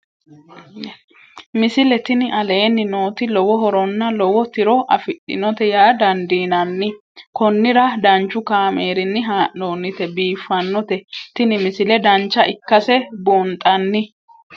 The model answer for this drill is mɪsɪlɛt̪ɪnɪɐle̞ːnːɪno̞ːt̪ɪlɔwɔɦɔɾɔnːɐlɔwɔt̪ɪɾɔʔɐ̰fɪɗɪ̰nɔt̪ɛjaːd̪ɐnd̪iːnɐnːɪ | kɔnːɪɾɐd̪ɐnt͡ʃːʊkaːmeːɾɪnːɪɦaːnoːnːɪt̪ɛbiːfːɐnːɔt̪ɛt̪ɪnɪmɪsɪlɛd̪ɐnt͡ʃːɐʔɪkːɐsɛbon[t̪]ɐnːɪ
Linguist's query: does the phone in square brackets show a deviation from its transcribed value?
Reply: yes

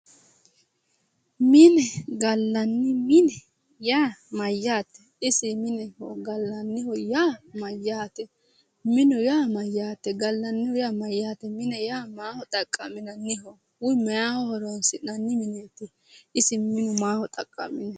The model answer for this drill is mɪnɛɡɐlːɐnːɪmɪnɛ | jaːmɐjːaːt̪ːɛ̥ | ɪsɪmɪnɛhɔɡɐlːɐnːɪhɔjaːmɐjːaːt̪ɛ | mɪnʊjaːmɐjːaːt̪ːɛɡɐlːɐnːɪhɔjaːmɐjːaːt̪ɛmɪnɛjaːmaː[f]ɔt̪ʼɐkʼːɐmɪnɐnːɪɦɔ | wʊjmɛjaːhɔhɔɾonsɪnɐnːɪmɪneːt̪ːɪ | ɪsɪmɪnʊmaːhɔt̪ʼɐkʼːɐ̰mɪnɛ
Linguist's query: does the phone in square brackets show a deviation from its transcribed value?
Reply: yes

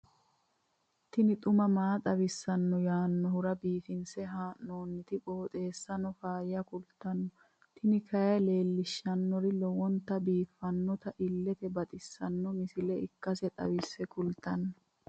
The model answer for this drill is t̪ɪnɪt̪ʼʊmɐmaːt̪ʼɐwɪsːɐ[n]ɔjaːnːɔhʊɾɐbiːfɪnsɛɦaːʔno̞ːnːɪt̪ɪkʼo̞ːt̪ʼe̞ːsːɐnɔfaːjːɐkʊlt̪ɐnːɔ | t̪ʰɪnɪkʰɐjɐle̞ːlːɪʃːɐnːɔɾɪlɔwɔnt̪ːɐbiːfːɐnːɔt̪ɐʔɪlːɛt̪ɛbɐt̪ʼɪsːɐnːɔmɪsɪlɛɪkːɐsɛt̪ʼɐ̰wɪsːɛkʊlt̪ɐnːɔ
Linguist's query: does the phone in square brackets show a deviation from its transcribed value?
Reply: yes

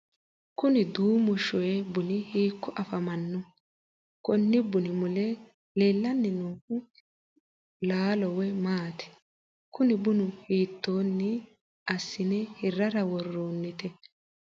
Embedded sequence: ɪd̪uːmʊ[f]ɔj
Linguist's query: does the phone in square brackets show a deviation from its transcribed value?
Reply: yes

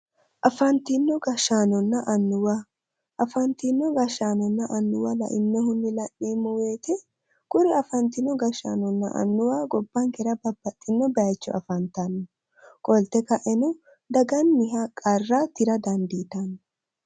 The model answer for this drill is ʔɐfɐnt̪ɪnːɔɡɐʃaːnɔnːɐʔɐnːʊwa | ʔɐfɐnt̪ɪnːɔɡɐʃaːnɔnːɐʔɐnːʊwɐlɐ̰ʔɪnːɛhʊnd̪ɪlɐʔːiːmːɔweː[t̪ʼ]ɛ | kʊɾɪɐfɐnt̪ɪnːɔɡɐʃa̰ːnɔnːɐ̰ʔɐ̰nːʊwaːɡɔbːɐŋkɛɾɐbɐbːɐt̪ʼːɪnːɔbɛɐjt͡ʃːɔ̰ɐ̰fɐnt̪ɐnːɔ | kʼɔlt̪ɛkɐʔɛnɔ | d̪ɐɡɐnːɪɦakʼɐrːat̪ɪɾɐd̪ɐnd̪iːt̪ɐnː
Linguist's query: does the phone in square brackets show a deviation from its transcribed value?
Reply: yes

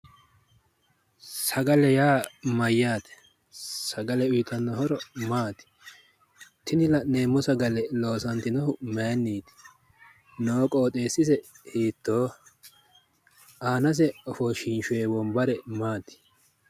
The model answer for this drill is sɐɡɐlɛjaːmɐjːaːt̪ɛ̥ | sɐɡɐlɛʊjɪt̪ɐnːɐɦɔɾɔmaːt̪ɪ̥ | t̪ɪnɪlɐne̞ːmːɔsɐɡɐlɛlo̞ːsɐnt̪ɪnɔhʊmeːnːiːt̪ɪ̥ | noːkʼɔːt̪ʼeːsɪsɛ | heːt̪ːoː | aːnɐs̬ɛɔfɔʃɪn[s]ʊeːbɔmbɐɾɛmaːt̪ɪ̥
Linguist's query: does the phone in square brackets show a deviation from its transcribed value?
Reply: yes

